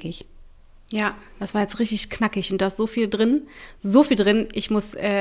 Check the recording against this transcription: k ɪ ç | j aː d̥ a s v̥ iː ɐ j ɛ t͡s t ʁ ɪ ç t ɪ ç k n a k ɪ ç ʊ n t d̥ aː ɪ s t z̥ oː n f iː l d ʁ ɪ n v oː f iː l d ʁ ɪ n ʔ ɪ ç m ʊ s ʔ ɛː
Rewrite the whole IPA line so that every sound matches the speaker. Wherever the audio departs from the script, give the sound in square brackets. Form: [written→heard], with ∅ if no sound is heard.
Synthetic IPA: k ɪ ç | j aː d̥ a s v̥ [iː→aː] ɐ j ɛ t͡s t ʁ ɪ ç t ɪ ç k n a k ɪ ç ʊ n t d̥ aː ɪ s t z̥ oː [n→∅] f iː l d ʁ ɪ n [v→z] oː f iː l d ʁ ɪ n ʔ ɪ ç m ʊ s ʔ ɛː